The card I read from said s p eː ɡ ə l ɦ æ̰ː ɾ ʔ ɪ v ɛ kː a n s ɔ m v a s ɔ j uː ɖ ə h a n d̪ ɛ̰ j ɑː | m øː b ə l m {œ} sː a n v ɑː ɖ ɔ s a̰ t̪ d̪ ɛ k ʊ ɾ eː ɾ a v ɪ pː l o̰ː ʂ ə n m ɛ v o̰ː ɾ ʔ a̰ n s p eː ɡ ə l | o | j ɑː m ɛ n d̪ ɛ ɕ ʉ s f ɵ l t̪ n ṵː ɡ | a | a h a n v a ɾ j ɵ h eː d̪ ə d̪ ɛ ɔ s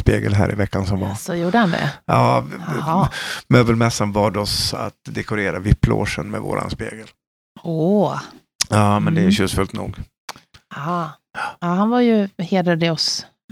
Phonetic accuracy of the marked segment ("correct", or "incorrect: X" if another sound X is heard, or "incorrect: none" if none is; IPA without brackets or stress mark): incorrect: ɛ